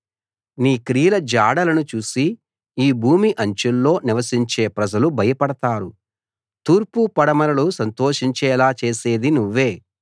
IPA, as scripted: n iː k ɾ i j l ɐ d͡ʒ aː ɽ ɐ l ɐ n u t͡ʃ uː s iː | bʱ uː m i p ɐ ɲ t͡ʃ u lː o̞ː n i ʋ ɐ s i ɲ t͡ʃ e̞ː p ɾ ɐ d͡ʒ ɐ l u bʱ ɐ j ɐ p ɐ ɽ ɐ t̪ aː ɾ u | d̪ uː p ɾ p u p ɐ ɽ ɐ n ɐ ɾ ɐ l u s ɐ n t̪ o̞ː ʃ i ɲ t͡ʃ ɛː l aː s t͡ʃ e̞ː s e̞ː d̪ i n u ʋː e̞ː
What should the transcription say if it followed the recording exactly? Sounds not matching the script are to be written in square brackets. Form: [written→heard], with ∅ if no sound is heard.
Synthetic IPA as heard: n iː k ɾ i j l ɐ d͡ʒ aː ɽ ɐ l ɐ n u t͡ʃ uː s iː | bʱ uː m i [p→ʔ] ɐ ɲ t͡ʃ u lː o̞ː n i ʋ ɐ s i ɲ t͡ʃ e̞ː p ɾ ɐ d͡ʒ ɐ l u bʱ ɐ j ɐ p ɐ ɽ ɐ t̪ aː ɾ u | [d̪→t̪] uː [p→∅] ɾ p u p ɐ ɽ ɐ [n→m] ɐ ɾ ɐ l u s ɐ n t̪ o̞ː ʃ i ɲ t͡ʃ ɛː l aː [s→∅] t͡ʃ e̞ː s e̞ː d̪ i n u ʋː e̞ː